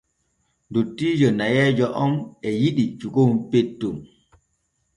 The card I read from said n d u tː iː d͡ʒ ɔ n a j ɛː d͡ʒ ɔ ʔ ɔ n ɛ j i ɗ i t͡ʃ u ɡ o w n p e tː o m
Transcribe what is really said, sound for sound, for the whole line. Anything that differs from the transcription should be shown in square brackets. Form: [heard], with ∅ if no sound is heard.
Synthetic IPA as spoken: n d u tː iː d͡ʒ ɔ n a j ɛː d͡ʒ ɔ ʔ ɔ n ɛ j i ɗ i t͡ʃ u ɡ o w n p e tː [u] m